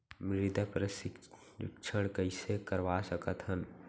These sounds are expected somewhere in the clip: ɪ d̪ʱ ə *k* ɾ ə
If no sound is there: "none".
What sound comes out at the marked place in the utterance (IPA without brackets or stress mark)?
p